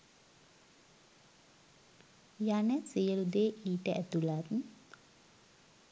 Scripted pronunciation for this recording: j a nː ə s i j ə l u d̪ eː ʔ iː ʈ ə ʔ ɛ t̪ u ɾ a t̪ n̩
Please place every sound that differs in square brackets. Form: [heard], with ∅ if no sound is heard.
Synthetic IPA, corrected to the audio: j a [n] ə s i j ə l u d̪ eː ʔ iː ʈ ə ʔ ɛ t̪ u [l] a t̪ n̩